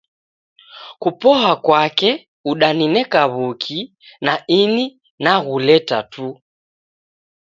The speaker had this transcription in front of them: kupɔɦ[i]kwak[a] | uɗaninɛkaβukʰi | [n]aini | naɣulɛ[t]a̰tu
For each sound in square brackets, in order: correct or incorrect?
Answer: incorrect, incorrect, correct, correct

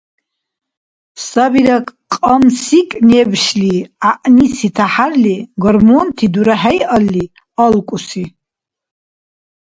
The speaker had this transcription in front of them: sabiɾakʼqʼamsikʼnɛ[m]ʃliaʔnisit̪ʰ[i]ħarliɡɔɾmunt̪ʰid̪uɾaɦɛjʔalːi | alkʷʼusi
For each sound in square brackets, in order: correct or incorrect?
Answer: incorrect, incorrect

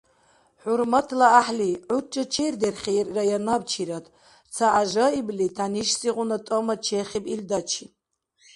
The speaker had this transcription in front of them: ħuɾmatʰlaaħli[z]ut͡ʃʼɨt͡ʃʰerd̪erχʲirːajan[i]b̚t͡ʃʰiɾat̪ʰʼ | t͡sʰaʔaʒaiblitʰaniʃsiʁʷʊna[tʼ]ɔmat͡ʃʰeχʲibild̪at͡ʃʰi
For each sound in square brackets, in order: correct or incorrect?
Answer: incorrect, incorrect, correct

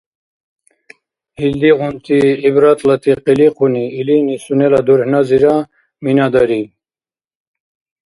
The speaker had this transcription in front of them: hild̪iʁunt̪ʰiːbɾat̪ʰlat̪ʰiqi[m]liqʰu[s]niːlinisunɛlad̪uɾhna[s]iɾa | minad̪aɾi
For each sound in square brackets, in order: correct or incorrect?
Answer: incorrect, incorrect, incorrect

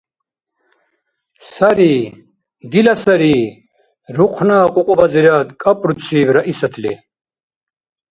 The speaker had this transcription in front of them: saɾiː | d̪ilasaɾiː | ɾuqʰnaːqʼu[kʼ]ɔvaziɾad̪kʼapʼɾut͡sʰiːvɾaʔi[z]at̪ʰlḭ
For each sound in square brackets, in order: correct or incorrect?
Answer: incorrect, incorrect

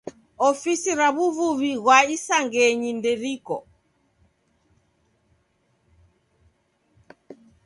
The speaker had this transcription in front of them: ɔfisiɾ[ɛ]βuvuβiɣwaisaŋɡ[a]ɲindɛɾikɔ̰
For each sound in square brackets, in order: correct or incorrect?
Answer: incorrect, incorrect

